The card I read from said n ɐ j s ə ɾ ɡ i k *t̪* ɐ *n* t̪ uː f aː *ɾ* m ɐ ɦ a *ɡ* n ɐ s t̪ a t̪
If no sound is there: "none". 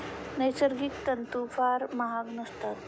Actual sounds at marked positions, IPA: t̪, n, ɾ, ɡ

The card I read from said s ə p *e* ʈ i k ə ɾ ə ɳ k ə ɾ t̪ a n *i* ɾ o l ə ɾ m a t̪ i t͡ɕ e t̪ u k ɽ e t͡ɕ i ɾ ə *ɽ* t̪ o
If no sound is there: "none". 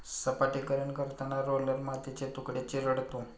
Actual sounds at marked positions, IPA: a, a, ɽ

